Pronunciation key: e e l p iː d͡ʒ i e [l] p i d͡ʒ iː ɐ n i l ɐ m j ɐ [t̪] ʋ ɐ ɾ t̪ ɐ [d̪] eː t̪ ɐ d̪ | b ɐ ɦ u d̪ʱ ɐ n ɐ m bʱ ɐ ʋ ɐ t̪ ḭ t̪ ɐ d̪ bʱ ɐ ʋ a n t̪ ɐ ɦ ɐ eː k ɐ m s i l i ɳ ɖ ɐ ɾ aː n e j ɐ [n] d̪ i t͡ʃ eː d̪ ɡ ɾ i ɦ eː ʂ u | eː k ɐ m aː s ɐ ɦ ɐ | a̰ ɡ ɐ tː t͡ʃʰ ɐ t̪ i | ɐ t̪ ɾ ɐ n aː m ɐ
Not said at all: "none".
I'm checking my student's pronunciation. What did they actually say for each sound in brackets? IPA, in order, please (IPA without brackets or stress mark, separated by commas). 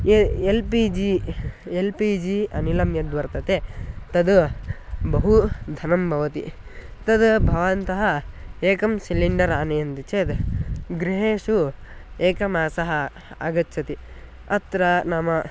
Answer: l, d̪, t̪, n